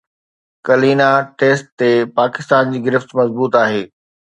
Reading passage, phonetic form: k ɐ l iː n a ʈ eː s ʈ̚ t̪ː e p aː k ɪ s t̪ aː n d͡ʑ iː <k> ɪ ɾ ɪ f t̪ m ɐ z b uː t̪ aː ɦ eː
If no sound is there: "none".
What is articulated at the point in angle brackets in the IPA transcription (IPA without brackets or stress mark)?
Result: ɡ